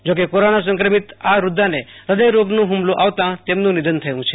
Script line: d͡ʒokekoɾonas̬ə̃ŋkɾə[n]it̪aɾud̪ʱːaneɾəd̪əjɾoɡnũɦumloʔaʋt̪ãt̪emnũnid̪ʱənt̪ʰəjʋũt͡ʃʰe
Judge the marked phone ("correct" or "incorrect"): incorrect